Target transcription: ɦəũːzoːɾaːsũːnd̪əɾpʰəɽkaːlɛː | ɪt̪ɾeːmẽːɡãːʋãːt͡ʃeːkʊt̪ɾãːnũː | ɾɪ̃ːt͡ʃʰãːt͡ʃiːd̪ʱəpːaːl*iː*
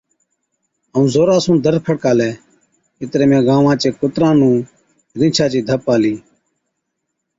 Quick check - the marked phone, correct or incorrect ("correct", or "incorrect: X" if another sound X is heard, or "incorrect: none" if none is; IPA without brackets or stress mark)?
correct